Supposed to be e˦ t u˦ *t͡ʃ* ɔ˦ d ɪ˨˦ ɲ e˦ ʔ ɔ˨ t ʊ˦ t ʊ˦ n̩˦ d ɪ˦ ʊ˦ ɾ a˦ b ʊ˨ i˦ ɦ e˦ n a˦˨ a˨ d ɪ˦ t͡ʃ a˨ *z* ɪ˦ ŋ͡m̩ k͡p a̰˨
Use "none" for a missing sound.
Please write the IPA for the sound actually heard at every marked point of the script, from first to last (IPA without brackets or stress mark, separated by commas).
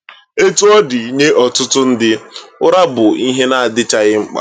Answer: none, ɣ